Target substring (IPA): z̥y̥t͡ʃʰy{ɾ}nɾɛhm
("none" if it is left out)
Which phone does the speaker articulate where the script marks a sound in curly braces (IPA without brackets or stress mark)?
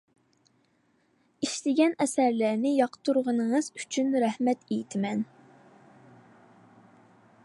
none